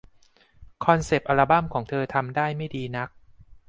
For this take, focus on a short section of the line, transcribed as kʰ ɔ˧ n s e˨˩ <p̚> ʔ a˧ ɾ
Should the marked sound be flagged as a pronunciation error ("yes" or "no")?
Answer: no